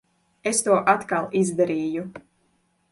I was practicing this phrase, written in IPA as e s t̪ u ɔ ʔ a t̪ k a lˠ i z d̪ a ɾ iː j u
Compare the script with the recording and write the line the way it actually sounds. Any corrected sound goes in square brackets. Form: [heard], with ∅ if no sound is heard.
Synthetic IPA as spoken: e s t̪ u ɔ ʔ a t̪ k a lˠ i z d̪ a ɾ iː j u

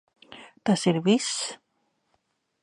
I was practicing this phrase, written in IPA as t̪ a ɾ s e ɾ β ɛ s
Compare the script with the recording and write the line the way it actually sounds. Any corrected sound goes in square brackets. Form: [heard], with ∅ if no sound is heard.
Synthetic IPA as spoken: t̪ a [∅] s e ɾ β [i] s

